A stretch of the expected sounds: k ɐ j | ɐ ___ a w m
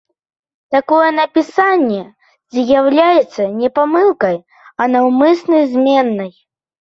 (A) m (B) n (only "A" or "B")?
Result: B